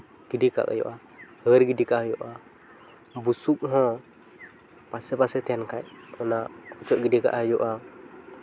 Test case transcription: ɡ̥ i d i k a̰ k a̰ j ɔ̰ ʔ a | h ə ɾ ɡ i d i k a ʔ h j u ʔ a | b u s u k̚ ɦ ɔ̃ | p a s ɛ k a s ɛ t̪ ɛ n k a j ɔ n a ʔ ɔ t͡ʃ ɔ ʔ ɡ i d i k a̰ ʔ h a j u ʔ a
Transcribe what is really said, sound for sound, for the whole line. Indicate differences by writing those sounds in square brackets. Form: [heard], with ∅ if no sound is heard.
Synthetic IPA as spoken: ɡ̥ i d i k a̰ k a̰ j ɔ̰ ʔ a | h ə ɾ ɡ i d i k a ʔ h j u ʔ a | b u s u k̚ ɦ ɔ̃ | p a s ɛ [p] a s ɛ t̪ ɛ n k a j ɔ n a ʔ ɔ t͡ʃ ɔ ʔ ɡ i d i k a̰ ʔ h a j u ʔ a